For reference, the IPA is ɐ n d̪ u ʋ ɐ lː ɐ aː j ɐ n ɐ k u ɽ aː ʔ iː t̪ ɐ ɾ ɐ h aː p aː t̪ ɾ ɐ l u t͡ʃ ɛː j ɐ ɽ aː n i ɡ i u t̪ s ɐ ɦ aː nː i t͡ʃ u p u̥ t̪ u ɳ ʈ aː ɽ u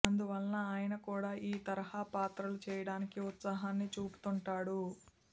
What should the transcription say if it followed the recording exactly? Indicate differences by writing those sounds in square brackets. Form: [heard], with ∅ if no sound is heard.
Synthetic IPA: ɐ n d̪ u ʋ ɐ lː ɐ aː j ɐ n ɐ k [uː] ɽ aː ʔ iː t̪ ɐ ɾ ɐ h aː p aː t̪ ɾ ɐ l u t͡ʃ ɛː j ɐ ɽ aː n i [k] i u t̪ s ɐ ɦ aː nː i t͡ʃ [uː] p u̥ t̪ u ɳ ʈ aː ɽ u